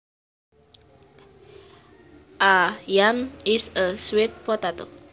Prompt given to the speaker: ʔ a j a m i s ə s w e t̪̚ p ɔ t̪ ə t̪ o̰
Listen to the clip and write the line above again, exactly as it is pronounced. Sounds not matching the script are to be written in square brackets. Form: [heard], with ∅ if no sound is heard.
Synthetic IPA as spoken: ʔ a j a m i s ə s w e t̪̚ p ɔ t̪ [a] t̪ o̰